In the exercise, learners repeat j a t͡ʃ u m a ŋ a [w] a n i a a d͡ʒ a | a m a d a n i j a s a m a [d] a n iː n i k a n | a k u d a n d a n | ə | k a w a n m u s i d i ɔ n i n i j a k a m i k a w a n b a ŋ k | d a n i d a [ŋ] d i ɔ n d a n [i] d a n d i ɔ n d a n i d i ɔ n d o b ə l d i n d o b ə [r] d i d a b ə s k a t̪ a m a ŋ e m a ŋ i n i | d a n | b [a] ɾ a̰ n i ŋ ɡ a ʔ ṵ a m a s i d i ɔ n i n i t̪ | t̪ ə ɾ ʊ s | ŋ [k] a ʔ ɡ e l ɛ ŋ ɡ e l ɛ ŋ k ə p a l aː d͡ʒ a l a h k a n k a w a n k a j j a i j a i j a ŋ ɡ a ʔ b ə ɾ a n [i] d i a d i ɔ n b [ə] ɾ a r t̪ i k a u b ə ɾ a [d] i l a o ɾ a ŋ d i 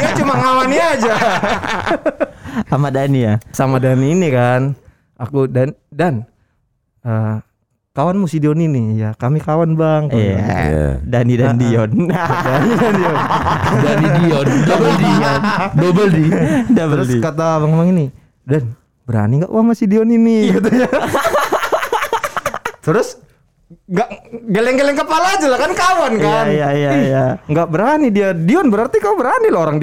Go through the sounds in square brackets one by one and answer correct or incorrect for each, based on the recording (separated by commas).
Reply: correct, correct, incorrect, correct, incorrect, incorrect, incorrect, correct, correct, incorrect